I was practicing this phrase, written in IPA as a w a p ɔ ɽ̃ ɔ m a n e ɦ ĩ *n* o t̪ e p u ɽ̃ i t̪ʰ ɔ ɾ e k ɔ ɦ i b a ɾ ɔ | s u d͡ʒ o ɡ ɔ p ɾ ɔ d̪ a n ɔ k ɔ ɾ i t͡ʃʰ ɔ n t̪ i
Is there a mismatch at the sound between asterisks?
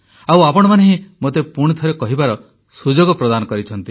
yes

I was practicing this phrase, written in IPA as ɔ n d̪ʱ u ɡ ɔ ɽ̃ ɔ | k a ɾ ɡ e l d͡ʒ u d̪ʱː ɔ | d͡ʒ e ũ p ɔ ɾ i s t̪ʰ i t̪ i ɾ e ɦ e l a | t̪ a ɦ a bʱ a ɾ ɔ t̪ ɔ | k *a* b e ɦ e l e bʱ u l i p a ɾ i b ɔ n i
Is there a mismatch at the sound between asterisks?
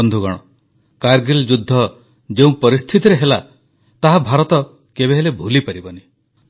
yes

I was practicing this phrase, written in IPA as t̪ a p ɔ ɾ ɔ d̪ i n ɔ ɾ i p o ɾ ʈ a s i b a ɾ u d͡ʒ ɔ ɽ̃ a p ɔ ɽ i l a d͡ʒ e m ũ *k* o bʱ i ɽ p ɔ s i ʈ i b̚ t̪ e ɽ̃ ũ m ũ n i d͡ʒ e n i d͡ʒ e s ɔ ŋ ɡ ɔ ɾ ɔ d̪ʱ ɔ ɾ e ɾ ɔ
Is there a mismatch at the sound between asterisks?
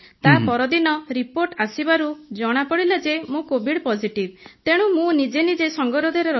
no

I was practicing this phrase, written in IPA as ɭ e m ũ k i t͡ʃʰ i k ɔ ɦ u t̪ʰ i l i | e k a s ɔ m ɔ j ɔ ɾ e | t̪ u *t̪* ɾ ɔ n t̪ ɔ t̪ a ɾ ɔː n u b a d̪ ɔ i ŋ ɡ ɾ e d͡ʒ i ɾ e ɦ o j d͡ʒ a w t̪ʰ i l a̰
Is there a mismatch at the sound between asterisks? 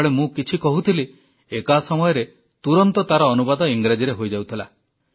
yes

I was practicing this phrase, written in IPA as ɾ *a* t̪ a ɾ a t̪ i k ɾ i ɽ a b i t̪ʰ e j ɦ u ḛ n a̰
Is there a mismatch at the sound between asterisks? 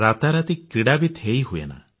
no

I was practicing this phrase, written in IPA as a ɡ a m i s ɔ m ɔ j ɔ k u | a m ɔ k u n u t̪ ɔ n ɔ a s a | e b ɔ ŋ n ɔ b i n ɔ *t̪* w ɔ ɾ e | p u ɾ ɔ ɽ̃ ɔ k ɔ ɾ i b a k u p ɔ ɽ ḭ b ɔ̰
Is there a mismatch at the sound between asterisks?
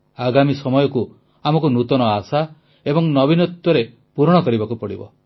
no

